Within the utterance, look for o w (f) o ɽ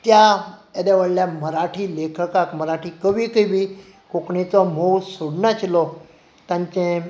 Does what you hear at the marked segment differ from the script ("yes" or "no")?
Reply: yes